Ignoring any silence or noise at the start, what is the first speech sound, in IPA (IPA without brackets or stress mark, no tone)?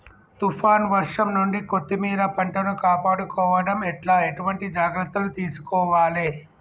t̪